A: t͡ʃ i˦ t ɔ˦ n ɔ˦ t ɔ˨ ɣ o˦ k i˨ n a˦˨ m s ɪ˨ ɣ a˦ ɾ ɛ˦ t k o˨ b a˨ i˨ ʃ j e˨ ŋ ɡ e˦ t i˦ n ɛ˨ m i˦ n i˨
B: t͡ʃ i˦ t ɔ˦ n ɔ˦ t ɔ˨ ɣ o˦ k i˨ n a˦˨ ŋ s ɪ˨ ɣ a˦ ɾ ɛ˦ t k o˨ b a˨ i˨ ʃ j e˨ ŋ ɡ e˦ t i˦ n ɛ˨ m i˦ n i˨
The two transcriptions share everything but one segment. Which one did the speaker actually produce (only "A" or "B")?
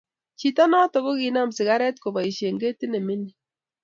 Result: A